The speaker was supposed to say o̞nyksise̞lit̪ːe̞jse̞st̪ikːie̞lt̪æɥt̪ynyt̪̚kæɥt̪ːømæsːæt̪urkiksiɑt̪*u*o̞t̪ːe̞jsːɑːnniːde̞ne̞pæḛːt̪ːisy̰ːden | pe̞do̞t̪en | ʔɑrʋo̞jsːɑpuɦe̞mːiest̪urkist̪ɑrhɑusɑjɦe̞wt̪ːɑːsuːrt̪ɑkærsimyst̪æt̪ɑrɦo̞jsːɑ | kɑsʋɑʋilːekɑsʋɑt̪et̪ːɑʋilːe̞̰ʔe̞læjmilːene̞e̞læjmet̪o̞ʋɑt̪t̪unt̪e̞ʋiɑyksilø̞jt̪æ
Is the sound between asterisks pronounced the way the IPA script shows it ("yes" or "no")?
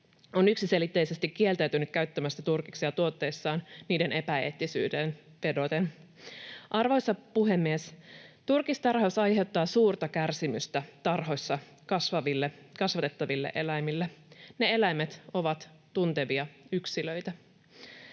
yes